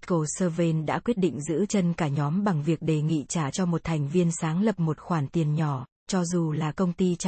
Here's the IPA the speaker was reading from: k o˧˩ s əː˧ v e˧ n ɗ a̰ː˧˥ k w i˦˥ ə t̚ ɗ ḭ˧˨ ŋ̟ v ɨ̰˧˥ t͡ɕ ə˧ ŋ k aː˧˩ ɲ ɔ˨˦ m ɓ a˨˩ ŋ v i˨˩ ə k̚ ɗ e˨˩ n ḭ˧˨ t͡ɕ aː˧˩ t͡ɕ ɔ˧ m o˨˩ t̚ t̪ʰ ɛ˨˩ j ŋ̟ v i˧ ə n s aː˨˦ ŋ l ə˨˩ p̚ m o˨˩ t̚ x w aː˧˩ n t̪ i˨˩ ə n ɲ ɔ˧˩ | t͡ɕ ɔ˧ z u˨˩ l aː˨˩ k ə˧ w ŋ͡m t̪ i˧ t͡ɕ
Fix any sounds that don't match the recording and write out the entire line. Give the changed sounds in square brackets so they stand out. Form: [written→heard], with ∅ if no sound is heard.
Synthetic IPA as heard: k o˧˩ s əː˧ v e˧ n ɗ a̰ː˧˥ k w i˦˥ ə t̚ ɗ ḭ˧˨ ŋ̟ [v→z] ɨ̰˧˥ t͡ɕ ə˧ [ŋ→n] k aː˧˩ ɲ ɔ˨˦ m ɓ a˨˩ ŋ v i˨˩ ə k̚ ɗ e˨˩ [n→ŋ] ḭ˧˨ t͡ɕ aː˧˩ t͡ɕ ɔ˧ m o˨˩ t̚ t̪ʰ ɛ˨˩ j ŋ̟ v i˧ ə n s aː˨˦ ŋ l ə˨˩ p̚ m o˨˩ t̚ x w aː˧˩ n t̪ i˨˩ ə n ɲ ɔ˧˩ | t͡ɕ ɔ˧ z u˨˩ l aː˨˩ k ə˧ w ŋ͡m t̪ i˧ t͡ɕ